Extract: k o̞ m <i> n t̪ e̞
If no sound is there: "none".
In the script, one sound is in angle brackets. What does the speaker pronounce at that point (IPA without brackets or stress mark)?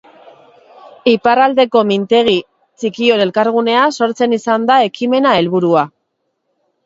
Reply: i